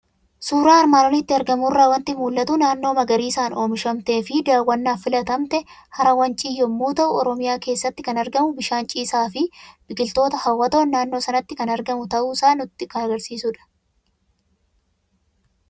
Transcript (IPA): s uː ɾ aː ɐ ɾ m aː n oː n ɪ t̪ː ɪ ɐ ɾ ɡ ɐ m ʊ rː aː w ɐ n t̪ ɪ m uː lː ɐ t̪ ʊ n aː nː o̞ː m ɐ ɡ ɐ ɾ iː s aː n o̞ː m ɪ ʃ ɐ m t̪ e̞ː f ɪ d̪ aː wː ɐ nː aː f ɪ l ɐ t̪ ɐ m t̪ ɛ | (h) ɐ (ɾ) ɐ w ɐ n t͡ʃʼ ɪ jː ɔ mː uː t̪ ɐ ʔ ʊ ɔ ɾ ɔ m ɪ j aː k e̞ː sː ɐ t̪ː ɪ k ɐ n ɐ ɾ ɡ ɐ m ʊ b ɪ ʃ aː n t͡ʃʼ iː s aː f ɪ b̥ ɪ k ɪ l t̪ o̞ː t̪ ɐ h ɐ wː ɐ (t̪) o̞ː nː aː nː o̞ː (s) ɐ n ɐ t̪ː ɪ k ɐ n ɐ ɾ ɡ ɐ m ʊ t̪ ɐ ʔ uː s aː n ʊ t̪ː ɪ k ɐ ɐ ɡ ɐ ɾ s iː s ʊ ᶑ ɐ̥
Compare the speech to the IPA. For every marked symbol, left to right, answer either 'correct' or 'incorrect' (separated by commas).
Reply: correct, correct, correct, correct